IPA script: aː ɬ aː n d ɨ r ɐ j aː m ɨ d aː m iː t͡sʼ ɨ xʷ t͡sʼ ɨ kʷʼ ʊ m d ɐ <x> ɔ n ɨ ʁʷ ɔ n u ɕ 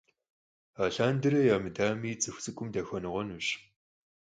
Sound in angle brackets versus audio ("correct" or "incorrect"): correct